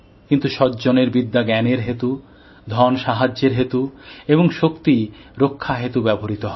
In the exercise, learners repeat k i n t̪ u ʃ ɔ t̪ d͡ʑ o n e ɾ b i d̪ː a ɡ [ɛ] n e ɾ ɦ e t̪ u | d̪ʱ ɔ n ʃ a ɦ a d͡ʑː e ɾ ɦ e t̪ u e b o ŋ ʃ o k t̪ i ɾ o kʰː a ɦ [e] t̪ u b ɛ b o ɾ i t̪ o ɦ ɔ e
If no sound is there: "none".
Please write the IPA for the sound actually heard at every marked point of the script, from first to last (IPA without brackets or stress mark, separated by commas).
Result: ɛ, e